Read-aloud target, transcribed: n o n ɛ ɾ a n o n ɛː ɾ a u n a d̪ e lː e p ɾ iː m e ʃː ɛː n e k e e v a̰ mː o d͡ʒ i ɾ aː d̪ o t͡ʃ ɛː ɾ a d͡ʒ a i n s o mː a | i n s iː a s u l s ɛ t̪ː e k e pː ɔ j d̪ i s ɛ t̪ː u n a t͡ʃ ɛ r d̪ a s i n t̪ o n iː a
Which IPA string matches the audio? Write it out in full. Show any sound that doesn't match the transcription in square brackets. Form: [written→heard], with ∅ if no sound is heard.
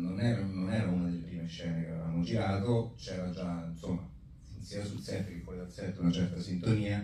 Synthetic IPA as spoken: n o n ɛ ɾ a n o n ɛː ɾ a u n a d̪ e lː e p ɾ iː m e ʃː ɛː n e k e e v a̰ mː o d͡ʒ i ɾ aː [d̪→t̪] o t͡ʃ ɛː ɾ a d͡ʒ a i n s o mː a | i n s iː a s u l s ɛ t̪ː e k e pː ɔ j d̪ [i→a] s ɛ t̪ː u n a t͡ʃ ɛ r [d̪→t̪] a s i n t̪ o n iː a